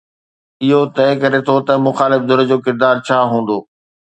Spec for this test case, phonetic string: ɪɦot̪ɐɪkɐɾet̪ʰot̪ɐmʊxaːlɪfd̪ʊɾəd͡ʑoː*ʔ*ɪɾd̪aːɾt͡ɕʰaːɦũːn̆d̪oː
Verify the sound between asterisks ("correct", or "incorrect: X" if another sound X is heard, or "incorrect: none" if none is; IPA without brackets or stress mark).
incorrect: k